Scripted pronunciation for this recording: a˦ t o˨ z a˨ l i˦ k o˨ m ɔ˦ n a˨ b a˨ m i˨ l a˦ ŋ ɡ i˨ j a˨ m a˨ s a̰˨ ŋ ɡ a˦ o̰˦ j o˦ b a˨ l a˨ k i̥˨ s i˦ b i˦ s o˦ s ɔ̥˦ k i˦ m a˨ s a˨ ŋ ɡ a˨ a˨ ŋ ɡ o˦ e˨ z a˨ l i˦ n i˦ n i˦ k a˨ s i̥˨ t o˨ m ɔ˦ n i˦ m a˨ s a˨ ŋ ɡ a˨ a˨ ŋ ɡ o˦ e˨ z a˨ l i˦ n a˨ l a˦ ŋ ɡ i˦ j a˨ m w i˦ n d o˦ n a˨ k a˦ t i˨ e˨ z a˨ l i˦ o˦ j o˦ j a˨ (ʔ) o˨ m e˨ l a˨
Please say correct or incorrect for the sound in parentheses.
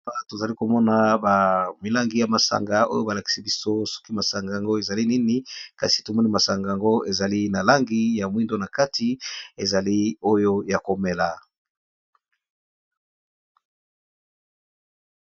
incorrect